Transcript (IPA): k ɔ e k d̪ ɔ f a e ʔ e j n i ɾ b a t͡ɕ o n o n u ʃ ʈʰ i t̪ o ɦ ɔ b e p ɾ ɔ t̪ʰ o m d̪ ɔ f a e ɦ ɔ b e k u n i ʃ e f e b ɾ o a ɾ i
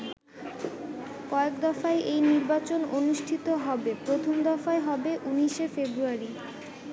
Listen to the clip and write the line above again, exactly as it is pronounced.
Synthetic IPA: k ɔ e k d̪ ɔ f a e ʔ e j n i ɾ b a t͡ɕ o n o n u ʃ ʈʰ i t̪ o ɦ ɔ b e p ɾ o t̪ʰ o m d̪ ɔ f a e ɦ ɔ b e ʔ u n i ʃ e f e b ɾ u a ɾ i